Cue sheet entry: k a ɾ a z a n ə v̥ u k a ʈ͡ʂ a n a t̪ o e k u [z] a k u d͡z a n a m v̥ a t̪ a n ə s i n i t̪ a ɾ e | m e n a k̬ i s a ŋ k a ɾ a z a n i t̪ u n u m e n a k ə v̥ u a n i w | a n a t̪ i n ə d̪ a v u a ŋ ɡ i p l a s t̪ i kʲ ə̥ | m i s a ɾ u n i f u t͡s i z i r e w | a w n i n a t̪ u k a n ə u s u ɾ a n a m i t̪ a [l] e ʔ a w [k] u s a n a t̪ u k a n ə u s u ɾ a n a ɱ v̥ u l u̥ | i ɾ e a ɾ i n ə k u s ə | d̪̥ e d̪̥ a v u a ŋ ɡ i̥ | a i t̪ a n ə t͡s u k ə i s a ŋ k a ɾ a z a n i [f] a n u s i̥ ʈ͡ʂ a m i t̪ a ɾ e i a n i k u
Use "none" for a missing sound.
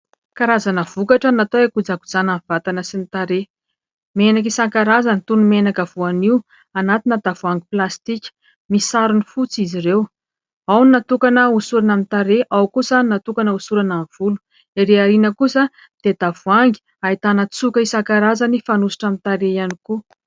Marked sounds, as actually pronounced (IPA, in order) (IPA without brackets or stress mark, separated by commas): d͡z, ɾ, k, f